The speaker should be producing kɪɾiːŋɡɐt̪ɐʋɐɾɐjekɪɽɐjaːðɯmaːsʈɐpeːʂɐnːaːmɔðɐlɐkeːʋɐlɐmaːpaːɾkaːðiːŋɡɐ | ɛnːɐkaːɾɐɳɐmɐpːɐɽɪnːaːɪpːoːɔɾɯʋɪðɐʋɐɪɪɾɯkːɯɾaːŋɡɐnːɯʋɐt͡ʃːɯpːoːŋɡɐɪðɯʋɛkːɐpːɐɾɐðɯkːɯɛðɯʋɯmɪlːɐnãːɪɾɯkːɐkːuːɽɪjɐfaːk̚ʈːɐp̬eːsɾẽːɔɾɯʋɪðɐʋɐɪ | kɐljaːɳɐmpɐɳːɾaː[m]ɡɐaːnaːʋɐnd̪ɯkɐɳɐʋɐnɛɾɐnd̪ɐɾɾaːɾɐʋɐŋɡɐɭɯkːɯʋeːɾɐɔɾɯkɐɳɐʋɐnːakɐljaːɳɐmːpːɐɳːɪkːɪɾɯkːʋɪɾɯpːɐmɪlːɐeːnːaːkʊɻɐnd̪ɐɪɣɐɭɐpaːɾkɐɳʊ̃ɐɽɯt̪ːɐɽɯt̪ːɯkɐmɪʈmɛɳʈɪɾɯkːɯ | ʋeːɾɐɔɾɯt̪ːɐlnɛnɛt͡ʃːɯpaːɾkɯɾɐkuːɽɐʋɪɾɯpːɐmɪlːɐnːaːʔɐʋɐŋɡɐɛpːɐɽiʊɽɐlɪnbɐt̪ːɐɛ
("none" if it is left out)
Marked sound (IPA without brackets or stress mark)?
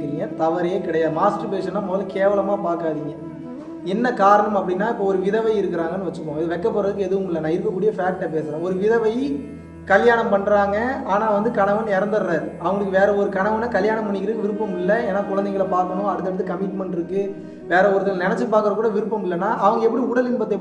ŋ